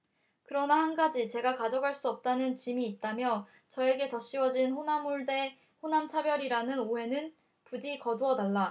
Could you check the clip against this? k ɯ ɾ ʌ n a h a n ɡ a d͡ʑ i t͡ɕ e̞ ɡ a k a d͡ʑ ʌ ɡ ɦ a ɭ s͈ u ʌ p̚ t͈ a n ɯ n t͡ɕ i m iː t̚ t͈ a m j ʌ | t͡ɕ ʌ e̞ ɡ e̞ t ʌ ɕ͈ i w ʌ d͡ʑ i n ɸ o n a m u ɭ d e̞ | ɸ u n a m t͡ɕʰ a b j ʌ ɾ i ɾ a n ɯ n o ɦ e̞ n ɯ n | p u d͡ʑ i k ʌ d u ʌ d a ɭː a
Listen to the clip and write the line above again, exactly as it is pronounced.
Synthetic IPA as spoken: k ɯ ɾ ʌ n a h a n ɡ a d͡ʑ i t͡ɕ e̞ ɡ a k a d͡ʑ ʌ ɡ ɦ a ɭ s͈ u ʌ p̚ t͈ a n ɯ n t͡ɕ i m iː t̚ t͈ a m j ʌ | t͡ɕ ʌ e̞ ɡ e̞ t ʌ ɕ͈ i w ʌ d͡ʑ i n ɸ o n a m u ɭ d e̞ | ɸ o n a m t͡ɕʰ a b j ʌ ɾ i ɾ a n ɯ n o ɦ e̞ n ɯ n | p u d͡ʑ i k ʌ d u ʌ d a ɭː a